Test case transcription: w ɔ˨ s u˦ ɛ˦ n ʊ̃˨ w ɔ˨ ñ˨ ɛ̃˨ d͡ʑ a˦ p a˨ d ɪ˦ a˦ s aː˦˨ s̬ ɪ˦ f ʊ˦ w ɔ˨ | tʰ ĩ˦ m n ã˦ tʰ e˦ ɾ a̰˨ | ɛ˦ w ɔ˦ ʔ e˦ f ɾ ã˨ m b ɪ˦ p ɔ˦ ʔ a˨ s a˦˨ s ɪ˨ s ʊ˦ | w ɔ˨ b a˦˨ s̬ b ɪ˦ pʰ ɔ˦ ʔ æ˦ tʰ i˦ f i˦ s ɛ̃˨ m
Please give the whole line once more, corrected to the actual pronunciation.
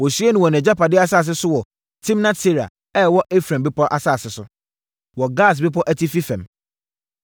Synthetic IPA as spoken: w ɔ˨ s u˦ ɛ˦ n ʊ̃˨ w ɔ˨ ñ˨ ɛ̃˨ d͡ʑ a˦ p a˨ d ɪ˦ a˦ s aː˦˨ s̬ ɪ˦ s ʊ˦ w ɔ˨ | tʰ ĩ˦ m n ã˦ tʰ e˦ ɾ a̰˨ | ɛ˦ w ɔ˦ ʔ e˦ f ɾ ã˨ m b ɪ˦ p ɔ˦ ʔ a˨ s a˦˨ s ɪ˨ s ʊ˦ | w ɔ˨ ɡ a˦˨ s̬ b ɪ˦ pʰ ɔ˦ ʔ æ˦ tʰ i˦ f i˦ f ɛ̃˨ m